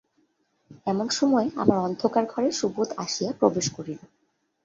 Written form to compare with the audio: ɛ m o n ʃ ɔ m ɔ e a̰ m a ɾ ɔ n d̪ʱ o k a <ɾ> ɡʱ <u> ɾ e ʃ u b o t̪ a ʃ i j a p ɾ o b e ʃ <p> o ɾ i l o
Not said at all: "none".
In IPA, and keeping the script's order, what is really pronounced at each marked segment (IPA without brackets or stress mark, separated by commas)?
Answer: ɾ, ɔ, k